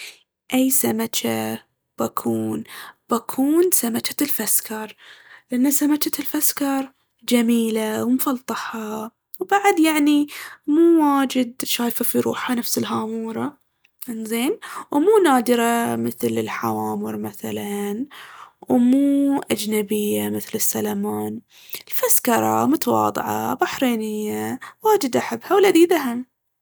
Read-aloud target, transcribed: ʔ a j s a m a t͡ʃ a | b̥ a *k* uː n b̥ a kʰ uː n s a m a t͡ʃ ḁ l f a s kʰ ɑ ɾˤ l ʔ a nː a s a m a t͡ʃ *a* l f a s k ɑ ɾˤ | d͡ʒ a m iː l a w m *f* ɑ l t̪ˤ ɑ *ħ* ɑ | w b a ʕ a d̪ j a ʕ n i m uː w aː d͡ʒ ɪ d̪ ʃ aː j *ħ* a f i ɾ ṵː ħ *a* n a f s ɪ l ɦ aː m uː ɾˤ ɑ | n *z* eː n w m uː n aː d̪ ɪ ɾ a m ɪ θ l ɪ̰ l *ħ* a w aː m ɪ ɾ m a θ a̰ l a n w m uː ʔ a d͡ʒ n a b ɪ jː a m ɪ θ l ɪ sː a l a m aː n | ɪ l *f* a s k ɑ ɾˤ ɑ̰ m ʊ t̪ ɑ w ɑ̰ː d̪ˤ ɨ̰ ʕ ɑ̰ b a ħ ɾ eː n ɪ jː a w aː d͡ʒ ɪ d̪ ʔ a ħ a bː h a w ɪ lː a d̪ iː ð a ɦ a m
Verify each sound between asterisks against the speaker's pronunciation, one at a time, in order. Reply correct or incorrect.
incorrect: kʰ, correct, correct, correct, incorrect: f, correct, correct, correct, correct

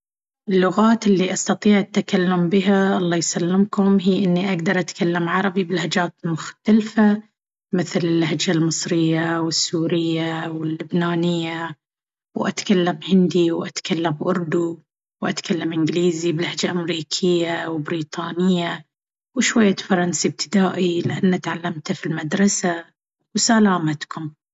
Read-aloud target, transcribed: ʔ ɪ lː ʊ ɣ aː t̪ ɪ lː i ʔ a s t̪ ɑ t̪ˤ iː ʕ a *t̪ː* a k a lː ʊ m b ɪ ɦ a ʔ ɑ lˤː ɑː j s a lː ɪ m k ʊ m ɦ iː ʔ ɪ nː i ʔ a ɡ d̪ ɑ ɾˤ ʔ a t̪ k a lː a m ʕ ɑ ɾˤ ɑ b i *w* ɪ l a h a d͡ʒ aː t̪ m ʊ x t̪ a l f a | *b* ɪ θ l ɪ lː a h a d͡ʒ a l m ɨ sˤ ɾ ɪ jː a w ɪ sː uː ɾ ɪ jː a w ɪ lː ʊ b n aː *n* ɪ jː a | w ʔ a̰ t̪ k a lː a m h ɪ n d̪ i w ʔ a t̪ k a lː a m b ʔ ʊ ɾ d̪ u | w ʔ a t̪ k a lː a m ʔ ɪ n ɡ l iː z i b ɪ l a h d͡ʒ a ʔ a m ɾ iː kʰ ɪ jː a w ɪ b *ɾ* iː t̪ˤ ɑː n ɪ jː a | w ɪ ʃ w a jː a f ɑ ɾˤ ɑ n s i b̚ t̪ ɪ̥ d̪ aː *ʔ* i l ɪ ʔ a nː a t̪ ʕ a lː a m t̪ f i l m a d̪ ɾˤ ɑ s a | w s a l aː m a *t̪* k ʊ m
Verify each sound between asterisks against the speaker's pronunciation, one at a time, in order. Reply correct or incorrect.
correct, incorrect: b, incorrect: m, correct, correct, correct, correct

